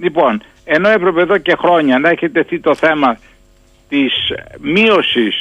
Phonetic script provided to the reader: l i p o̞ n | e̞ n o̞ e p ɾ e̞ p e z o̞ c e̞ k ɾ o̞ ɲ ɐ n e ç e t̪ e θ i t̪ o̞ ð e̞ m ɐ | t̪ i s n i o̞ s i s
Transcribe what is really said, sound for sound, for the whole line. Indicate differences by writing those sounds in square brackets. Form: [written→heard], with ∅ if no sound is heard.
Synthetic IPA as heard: l i p o̞ n | e̞ n o̞ e p ɾ e̞ p e [z→ð] o̞ c e̞ [k→x] ɾ o̞ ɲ ɐ n e ç e t̪ e θ i t̪ o̞ [ð→θ] e̞ m ɐ | t̪ i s [n→m] i o̞ s i s